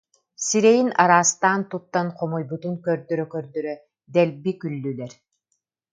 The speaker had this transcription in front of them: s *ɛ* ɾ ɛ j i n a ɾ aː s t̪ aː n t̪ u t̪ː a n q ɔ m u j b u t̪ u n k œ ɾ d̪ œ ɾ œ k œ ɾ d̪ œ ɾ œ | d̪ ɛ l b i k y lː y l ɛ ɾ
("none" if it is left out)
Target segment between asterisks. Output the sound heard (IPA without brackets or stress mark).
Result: i